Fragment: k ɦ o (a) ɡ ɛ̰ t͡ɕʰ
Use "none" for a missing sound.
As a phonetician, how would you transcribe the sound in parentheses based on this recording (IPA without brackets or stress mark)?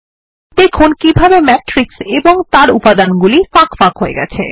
e